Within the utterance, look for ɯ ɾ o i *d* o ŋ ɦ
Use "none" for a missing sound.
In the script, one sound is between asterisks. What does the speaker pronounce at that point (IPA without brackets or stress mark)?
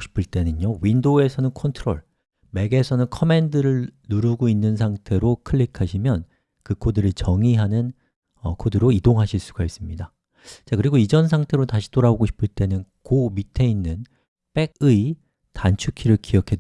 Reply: d